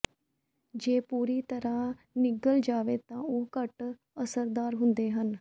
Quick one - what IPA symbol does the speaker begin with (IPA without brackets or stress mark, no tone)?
d͡ʒ